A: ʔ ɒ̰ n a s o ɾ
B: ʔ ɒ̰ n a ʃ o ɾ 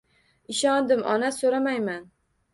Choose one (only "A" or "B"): A